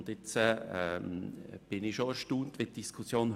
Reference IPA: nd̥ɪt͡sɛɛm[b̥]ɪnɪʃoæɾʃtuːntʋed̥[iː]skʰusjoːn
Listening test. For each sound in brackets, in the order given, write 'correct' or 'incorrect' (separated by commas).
correct, incorrect